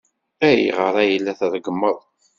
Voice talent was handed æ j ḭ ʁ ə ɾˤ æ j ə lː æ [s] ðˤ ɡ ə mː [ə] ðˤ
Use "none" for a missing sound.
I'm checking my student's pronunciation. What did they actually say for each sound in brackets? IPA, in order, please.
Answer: θ, ə

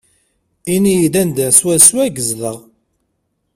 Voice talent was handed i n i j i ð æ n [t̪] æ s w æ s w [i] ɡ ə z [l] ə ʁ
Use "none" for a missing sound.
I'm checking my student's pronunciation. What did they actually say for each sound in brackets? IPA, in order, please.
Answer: d̪, æ, l

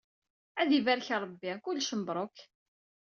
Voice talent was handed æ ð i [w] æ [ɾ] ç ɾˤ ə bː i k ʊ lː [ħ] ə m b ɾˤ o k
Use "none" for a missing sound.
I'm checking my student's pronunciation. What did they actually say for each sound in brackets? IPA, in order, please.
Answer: v, ɾ, ʃ

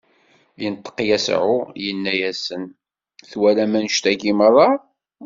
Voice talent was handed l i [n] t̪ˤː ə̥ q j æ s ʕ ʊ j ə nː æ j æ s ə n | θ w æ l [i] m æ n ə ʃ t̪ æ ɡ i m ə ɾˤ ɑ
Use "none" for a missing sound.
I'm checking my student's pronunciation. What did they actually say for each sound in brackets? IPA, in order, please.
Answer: n, æ

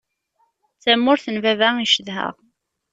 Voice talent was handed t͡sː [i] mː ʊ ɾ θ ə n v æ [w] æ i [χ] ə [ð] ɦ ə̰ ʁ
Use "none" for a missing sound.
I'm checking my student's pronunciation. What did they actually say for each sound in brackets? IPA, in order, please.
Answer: æ, v, ʃ, ð

